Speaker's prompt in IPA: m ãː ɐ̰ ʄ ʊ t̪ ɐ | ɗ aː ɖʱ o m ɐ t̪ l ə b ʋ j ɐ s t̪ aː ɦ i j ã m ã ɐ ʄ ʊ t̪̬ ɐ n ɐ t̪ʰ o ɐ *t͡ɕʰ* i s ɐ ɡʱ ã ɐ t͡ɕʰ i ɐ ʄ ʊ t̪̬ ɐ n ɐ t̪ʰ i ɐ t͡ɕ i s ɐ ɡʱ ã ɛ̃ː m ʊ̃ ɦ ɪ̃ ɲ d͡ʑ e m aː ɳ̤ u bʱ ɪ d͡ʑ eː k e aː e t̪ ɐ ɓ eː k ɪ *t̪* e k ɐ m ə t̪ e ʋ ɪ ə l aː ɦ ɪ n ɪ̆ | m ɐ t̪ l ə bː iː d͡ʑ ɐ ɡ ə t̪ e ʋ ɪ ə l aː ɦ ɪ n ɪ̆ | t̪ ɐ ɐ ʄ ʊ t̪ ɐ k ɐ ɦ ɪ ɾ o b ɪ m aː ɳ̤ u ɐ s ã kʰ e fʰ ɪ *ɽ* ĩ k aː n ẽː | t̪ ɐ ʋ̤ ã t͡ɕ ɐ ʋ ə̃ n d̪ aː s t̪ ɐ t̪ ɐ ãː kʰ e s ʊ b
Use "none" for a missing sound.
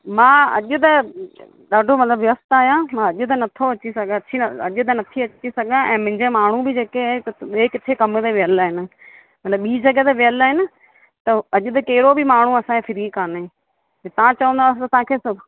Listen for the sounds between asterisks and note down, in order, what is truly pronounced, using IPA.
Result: t͡ɕ, t̪ʰ, ɾ

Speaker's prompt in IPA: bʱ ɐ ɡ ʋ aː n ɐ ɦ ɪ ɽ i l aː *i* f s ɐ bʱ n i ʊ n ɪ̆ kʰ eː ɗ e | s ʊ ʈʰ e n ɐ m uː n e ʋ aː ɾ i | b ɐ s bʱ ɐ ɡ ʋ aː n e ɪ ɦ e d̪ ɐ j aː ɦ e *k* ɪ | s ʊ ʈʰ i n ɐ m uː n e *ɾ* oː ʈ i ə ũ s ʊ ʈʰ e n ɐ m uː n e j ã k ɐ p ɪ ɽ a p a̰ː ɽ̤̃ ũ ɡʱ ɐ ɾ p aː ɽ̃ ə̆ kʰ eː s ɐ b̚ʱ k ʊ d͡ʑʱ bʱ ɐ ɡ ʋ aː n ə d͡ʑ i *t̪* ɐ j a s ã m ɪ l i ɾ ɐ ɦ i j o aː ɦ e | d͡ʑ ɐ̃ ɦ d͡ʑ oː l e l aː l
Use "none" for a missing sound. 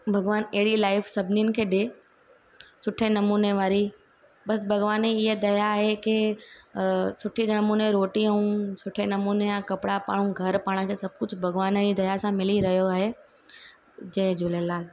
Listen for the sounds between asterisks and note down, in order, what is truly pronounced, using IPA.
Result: ɪ, k, ɾ, d̪

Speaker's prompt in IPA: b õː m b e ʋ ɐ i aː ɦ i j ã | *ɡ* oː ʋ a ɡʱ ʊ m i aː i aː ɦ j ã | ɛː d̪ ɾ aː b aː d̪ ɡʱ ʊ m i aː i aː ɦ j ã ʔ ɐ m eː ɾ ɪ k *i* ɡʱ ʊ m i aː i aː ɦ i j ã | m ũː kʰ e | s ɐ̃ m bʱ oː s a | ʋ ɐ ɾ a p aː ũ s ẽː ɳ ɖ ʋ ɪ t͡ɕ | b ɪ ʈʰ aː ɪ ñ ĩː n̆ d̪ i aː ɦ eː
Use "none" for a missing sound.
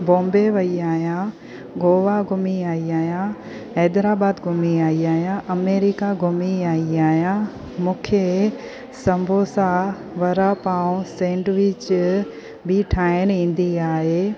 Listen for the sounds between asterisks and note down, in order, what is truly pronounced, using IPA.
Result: ɡ, a

